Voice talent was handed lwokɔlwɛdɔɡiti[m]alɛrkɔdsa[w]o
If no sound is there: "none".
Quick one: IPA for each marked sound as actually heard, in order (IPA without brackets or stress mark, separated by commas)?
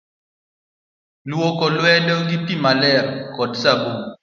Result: m, b